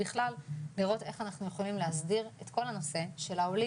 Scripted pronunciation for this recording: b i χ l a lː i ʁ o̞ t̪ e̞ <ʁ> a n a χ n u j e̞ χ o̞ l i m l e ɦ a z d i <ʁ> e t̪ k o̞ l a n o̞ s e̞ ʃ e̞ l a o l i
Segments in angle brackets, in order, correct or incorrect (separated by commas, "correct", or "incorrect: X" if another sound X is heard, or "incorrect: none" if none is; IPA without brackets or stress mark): incorrect: χ, correct